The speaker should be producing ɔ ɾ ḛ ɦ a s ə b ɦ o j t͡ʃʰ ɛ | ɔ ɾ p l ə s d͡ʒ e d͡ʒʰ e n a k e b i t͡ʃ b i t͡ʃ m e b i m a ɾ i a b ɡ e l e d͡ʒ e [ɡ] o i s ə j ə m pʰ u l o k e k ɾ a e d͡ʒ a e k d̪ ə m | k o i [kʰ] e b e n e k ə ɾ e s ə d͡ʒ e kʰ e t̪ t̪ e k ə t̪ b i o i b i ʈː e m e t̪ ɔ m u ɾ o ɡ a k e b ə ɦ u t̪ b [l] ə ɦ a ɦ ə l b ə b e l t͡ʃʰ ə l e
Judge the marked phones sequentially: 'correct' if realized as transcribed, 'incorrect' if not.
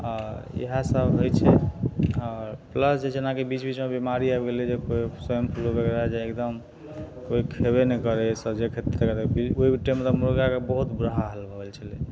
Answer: incorrect: k, correct, incorrect: ɾ

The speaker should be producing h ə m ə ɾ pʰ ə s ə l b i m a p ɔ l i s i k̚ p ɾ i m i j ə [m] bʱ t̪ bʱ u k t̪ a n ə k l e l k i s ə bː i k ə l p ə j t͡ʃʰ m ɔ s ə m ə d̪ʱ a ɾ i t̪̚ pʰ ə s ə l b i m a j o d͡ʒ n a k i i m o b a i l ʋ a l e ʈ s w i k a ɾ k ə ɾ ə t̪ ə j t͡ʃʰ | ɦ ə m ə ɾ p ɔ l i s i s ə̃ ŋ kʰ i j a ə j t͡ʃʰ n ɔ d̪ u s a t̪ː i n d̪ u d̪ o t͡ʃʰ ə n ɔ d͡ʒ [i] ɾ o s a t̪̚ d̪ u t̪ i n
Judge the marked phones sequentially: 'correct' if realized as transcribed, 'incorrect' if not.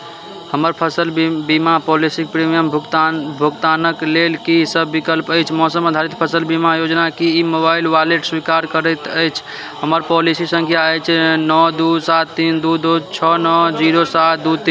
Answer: correct, correct

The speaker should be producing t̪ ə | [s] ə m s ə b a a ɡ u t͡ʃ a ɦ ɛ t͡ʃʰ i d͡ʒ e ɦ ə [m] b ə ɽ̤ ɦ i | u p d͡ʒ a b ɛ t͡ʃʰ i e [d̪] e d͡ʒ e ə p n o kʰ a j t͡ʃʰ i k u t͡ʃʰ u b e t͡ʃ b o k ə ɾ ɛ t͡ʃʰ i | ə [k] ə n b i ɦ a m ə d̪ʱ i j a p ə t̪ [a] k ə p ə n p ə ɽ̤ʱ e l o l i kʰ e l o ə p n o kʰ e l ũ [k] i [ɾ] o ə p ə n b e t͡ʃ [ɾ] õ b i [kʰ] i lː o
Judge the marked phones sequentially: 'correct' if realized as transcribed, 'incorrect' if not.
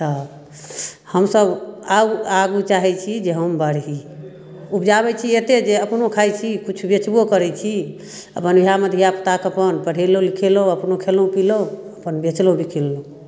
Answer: incorrect: h, correct, incorrect: t̪, incorrect: p, correct, incorrect: p, incorrect: l, incorrect: l, correct

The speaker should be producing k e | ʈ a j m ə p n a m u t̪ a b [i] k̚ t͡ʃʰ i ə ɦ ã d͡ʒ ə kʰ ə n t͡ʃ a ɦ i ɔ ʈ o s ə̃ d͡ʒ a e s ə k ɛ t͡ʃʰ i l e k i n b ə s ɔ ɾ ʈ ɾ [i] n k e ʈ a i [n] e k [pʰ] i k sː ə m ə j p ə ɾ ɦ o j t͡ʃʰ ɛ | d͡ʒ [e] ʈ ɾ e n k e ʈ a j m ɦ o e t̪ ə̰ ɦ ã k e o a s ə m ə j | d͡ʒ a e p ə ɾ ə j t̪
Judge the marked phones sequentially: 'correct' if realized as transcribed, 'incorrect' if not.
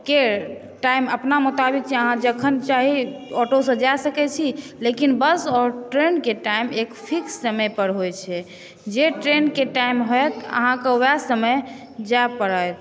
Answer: correct, incorrect: e, incorrect: m, correct, correct

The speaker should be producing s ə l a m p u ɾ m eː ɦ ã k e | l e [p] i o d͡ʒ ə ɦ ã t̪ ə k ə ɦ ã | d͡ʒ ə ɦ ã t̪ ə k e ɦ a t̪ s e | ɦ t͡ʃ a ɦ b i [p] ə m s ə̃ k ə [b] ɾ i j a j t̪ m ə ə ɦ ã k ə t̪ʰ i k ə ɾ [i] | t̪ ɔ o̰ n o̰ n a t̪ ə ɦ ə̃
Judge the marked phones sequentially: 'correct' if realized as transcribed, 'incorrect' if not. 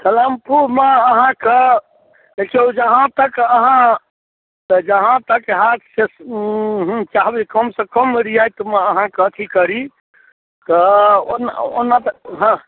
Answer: incorrect: k, incorrect: k, incorrect: m, correct

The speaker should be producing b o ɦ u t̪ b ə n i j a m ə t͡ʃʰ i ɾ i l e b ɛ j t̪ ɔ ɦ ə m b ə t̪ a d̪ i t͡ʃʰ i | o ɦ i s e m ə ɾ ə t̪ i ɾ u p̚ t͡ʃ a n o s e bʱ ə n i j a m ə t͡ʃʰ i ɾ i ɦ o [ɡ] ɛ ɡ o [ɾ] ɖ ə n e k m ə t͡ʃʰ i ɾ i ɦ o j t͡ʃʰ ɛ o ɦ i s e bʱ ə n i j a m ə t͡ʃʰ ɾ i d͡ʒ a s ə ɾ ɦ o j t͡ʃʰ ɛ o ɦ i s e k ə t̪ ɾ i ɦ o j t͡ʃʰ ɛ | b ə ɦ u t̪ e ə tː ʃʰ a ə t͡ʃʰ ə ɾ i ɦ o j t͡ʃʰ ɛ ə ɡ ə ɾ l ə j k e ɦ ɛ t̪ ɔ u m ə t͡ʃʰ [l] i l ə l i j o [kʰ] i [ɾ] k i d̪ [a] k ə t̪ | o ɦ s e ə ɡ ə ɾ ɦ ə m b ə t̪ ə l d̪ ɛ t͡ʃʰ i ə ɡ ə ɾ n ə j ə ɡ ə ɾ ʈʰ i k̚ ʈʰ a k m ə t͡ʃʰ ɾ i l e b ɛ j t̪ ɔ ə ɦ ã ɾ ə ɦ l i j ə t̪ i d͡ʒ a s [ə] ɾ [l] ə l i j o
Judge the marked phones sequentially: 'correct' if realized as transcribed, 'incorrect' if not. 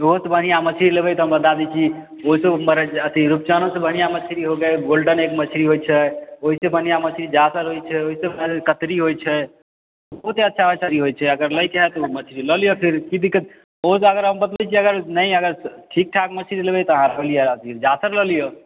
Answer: correct, incorrect: l, incorrect: ɾ, incorrect: pʰ, correct, incorrect: i, correct, correct

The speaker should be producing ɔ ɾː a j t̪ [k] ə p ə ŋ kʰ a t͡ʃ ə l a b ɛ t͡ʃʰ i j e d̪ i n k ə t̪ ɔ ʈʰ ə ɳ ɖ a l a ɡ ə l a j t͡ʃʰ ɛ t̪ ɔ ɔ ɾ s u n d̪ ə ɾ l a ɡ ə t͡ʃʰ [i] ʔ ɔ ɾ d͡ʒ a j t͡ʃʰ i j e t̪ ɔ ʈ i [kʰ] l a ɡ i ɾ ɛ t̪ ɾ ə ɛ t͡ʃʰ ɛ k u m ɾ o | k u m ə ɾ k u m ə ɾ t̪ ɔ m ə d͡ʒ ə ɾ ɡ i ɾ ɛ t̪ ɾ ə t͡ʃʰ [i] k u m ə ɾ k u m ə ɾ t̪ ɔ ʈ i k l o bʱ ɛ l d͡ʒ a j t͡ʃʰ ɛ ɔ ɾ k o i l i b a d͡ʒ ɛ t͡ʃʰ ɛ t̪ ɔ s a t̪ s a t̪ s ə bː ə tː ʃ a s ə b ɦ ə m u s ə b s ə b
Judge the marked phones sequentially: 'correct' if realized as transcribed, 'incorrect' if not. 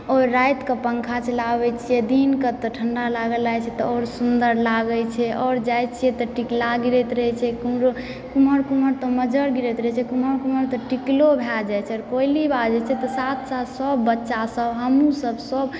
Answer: correct, incorrect: ɛ, incorrect: k, incorrect: ɛ

